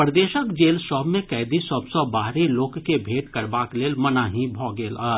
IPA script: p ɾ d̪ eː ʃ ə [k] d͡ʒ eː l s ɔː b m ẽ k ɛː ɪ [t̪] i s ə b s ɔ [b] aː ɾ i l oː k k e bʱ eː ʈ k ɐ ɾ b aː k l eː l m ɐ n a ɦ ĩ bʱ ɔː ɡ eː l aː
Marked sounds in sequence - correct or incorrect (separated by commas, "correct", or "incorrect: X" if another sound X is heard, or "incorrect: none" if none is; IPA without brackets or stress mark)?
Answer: correct, incorrect: d̪, correct